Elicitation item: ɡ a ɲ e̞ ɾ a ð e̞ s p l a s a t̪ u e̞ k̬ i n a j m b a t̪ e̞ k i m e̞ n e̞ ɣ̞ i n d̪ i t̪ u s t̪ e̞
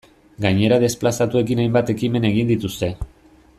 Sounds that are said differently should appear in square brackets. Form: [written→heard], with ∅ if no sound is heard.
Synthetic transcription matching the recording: ɡ a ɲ e̞ ɾ a ð e̞ s p l a s a t̪ u e̞ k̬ i n a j m b a t̪ e̞ k i m e̞ n e̞ ɣ̞ i n d̪ i t̪ u s t̪ e̞